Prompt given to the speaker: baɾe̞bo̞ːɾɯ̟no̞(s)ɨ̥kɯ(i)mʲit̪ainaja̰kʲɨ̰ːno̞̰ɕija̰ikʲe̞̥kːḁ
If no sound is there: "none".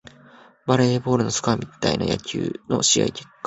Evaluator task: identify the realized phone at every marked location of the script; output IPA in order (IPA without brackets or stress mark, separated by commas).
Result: s, a